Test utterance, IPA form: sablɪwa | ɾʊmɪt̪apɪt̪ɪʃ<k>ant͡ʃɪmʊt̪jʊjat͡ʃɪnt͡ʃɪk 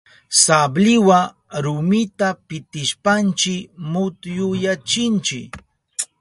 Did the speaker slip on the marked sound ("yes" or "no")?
yes